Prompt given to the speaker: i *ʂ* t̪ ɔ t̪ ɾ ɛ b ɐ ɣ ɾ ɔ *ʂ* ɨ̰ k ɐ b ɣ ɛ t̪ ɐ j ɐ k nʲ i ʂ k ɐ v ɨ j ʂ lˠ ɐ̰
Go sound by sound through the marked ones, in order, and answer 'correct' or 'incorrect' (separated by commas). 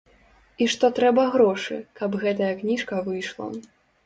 correct, correct